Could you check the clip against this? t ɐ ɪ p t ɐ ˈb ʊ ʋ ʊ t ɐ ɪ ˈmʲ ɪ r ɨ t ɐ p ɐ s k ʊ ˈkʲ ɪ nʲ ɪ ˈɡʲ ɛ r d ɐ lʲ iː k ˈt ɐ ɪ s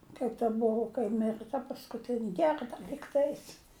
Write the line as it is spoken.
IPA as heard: k ɐ ɪ p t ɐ ˈb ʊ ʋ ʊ k ɐ ɪ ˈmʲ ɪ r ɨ t ɐ p ɐ s k ʊ ˈtʲ ɪ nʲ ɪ ˈɡʲ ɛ r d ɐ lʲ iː k ˈt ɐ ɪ s